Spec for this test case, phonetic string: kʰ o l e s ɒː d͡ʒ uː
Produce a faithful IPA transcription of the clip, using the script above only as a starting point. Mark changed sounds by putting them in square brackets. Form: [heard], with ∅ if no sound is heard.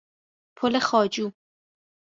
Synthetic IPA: [pʰ] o l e [x] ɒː d͡ʒ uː

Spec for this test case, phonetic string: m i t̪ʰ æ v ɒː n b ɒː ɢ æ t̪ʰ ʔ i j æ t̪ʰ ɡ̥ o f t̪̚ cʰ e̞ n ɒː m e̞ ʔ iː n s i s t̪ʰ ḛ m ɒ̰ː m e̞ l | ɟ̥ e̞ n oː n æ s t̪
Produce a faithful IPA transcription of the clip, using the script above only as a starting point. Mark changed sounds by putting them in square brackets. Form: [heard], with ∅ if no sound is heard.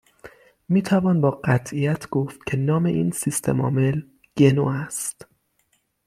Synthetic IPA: m [iː] t̪ʰ æ v ɒː n b ɒː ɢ æ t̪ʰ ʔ i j æ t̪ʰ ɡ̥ o f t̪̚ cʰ e̞ n ɒː m e̞ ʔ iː n s i s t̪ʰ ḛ m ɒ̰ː m e̞ l | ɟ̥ e̞ n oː [∅] æ s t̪

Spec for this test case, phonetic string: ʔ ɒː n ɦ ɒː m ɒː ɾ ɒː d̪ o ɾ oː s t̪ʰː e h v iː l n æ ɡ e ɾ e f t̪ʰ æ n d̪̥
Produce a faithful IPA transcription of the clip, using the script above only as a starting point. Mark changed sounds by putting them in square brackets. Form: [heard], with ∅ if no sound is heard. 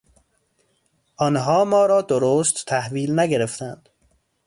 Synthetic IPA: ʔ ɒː n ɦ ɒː m ɒː ɾ ɒː d̪ o ɾ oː s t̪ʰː [æ] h v iː l n æ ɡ e ɾ e f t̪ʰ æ n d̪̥

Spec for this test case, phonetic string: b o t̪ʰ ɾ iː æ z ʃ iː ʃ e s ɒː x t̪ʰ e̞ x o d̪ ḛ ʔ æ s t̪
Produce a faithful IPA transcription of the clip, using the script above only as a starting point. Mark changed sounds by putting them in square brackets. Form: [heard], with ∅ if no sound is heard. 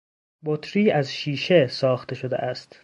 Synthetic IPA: b o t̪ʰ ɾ iː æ z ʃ iː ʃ e s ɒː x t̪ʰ e̞ [ʃ] o d̪ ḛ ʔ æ s t̪

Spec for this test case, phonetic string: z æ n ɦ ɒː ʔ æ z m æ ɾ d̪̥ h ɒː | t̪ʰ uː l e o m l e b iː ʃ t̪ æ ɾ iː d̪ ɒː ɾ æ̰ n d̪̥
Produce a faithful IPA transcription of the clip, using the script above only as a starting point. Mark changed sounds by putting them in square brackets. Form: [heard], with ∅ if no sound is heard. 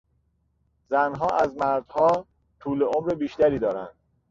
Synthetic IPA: z æ n ɦ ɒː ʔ æ z m æ ɾ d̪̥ h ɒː | t̪ʰ uː l e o m [ɾ] e b iː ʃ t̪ æ ɾ iː d̪ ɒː ɾ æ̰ n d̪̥

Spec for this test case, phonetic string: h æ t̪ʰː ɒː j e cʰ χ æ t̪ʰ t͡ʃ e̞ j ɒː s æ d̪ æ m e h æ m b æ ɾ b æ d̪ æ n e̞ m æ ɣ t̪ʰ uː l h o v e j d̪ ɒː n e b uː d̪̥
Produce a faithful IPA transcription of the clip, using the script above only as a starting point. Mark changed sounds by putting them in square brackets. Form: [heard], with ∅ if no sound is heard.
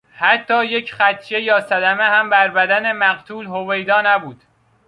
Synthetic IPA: h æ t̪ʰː ɒː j e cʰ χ æ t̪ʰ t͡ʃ e̞ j ɒː s æ d̪ æ m e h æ m b æ ɾ b æ d̪ æ n e̞ m æ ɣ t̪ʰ uː l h o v e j d̪ ɒː n [æ] b uː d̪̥

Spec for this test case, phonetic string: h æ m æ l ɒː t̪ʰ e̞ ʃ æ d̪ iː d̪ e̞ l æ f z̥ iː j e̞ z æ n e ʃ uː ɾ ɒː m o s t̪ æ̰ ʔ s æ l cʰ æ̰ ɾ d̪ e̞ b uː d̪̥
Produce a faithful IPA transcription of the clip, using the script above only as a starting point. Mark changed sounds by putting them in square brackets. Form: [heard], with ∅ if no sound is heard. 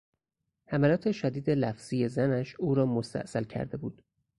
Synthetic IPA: h æ m æ l ɒː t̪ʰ e̞ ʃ æ d̪ iː d̪ e̞ l æ f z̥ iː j e̞ z æ n [æ] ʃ uː ɾ ɒː m o s t̪ æ̰ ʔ s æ l cʰ æ̰ ɾ d̪ e̞ b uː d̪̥

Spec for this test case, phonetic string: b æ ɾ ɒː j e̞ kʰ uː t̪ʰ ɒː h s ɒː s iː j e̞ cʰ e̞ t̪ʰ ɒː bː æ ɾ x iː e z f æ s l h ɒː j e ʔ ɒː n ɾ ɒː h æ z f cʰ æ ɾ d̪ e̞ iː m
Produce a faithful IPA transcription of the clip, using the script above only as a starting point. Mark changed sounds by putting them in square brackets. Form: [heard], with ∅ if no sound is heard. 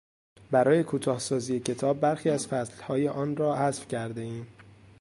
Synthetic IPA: b æ ɾ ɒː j e̞ kʰ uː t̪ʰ ɒː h s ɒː [z] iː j e̞ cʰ e̞ t̪ʰ ɒː bː æ ɾ x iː [æ] z f æ s l h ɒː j e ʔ ɒː n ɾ ɒː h æ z f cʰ æ ɾ d̪ e̞ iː m

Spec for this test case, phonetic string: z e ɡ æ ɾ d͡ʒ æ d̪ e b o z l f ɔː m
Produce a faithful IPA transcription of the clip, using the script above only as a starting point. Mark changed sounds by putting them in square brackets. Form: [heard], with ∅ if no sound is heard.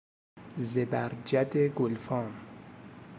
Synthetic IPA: z e [b] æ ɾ d͡ʒ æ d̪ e [ɡ] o [∅] l f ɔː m

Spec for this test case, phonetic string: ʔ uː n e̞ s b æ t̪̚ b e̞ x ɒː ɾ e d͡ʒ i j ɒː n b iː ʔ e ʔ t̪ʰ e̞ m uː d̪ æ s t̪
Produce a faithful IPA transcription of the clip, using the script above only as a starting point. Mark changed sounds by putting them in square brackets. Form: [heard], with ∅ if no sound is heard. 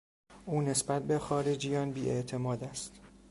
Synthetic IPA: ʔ uː n e̞ s b æ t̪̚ b e̞ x ɒː ɾ e d͡ʒ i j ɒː n b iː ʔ e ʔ t̪ʰ e̞ m [ɒː] d̪ æ s t̪

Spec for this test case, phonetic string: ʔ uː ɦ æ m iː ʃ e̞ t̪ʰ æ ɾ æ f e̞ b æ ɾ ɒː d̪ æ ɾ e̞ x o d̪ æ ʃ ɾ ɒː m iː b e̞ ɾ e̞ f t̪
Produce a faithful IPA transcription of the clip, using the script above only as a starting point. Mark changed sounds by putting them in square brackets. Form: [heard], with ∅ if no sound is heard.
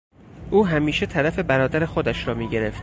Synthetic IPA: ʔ uː ɦ æ m iː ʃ e̞ t̪ʰ æ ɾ æ f e̞ b æ ɾ ɒː d̪ æ ɾ e̞ x o d̪ æ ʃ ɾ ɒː m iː [ɟ] e̞ ɾ e̞ f t̪

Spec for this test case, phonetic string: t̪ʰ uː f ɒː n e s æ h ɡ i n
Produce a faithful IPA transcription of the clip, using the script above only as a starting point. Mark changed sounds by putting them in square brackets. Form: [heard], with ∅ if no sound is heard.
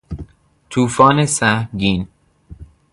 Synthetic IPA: t̪ʰ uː f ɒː n e s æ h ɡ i n

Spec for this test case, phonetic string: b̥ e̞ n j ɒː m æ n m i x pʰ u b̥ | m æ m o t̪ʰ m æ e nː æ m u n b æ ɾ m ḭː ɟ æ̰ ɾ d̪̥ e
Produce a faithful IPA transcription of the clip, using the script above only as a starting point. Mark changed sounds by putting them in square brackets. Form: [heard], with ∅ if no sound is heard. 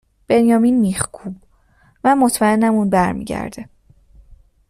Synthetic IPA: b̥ e̞ n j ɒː m [i] n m i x [kʰ] u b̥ | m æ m o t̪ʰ m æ e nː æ m u n b æ ɾ m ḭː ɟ æ̰ ɾ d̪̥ e

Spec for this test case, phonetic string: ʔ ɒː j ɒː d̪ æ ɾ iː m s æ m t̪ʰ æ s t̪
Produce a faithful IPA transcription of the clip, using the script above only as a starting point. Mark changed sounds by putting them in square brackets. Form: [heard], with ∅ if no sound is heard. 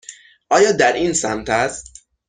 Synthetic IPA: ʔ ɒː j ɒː d̪ æ ɾ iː [n] s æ m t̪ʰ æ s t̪

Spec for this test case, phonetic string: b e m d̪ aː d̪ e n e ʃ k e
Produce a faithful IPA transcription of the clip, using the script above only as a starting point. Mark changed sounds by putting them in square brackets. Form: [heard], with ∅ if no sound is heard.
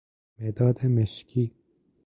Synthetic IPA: [m] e [∅] d̪ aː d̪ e [m] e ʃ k [i]

